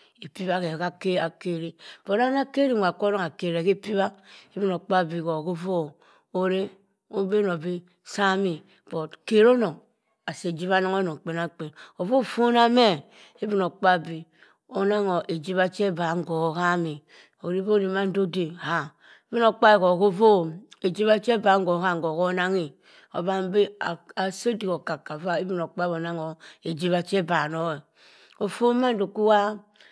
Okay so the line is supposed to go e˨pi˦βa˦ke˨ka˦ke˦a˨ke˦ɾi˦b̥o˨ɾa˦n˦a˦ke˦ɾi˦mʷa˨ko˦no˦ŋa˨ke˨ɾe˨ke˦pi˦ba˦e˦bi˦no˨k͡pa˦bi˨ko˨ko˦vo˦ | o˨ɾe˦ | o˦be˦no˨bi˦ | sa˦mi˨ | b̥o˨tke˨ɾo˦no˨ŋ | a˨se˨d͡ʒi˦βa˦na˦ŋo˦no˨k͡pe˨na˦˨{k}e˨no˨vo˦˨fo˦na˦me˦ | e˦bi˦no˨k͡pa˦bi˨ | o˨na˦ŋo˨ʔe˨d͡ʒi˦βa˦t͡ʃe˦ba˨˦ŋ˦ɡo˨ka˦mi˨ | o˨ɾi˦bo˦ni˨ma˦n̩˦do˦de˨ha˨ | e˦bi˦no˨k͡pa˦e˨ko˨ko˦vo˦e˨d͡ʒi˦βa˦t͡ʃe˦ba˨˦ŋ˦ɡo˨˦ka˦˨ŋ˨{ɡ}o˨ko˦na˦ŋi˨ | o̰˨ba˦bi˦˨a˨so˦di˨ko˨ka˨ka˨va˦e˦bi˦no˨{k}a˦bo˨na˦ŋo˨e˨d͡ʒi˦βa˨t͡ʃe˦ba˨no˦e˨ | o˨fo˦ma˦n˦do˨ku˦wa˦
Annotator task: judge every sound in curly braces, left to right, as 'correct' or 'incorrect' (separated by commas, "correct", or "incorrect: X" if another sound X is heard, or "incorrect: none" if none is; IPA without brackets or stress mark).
incorrect: k͡p, correct, incorrect: k͡p